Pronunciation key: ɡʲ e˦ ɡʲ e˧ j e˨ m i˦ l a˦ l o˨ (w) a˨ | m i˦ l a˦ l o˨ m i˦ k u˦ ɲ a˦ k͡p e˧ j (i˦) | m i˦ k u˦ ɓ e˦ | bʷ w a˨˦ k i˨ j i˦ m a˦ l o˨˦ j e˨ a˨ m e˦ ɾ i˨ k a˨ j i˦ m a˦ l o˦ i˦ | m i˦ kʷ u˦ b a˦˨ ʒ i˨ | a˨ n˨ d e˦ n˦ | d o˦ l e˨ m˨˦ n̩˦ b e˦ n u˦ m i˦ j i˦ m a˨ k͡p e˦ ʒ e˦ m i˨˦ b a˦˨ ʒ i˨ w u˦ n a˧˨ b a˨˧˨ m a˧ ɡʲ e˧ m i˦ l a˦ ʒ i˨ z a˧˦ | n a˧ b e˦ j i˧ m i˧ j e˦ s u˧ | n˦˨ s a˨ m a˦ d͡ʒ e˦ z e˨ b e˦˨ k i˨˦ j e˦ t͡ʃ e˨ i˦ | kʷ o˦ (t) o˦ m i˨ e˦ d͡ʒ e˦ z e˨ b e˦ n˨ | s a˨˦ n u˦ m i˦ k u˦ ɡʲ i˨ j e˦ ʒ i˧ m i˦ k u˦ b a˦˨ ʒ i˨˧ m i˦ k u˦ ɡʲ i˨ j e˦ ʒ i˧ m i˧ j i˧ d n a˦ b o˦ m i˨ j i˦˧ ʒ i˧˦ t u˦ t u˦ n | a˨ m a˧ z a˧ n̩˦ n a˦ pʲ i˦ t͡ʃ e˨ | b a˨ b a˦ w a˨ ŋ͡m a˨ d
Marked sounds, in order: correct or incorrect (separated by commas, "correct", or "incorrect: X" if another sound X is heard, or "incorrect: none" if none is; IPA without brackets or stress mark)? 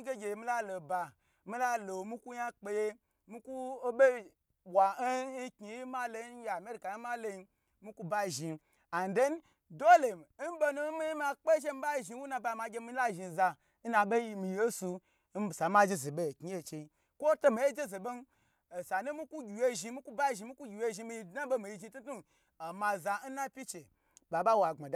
incorrect: b, incorrect: e˦, correct